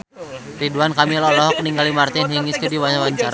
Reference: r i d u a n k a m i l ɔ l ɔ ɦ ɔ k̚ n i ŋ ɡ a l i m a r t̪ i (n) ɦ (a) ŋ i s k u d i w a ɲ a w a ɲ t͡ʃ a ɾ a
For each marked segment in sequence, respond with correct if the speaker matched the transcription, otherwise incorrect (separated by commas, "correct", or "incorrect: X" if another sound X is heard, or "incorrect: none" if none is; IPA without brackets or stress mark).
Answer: correct, incorrect: i